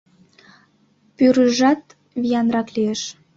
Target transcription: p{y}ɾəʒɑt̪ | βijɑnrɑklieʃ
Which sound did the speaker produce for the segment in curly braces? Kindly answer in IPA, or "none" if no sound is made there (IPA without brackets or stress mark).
y